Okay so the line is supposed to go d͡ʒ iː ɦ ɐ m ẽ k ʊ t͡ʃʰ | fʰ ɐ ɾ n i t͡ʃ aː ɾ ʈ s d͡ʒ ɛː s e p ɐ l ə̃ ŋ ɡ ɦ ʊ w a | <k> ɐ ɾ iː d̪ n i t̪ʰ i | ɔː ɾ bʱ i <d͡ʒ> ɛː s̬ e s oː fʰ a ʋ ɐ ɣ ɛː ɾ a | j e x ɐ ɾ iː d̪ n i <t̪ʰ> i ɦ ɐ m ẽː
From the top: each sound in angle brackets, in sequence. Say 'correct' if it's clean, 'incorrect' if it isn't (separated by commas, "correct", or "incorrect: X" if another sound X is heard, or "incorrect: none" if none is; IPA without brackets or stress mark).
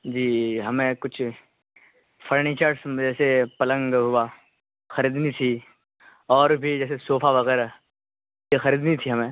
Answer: incorrect: x, correct, correct